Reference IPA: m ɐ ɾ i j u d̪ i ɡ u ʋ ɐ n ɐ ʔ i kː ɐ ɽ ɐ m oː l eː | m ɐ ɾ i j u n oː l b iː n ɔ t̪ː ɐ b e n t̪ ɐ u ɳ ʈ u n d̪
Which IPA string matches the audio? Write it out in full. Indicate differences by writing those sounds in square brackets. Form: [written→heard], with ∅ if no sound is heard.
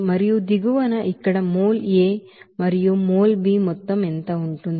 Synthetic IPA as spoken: m ɐ ɾ i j u d̪ i ɡ u ʋ ɐ n ɐ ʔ i kː ɐ ɽ ɐ m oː l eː | m ɐ ɾ i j u [n→m] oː l b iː [n→m] ɔ t̪ː ɐ [b→m] e n t̪ ɐ u ɳ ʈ u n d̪